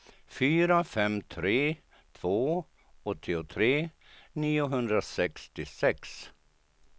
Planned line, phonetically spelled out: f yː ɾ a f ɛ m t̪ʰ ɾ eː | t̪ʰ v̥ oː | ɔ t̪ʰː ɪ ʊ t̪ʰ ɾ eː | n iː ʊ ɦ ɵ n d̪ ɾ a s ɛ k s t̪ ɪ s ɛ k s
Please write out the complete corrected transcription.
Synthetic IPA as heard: f yː ɾ a f ɛ m t̪ʰ ɾ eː | t̪ʰ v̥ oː | ɔ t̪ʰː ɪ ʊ t̪ʰ ɾ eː | n iː ʊ ɦ ɵ n d̪ ɾ a s ɛ k s t̪ ɪ s ɛ k s